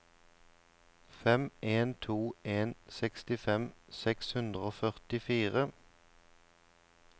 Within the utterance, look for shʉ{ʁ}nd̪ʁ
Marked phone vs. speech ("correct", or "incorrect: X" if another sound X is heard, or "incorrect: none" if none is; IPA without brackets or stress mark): incorrect: none